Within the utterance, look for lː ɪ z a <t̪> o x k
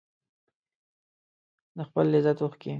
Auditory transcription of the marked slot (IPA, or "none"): t̪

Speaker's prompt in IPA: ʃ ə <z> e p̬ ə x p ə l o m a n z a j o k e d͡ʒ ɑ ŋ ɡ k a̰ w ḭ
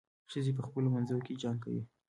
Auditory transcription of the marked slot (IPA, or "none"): z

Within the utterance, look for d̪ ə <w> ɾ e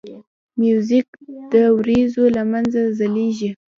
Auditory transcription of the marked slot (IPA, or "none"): w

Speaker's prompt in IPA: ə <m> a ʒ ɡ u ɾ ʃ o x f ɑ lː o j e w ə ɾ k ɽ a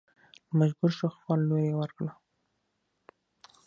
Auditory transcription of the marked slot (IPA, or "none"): m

